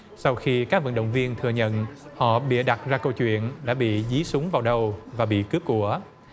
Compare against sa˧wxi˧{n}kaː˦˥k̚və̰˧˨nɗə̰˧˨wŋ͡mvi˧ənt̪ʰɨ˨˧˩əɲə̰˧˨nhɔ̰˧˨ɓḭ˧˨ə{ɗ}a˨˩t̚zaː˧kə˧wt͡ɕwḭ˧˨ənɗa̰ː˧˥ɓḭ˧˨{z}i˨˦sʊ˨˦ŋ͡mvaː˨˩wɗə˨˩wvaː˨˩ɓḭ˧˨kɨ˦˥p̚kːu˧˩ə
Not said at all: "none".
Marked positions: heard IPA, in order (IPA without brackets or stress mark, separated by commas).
none, ɗ, z